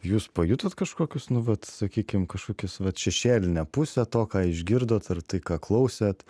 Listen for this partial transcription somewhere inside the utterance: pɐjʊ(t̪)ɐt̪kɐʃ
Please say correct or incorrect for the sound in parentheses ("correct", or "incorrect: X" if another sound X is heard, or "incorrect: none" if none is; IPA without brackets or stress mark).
correct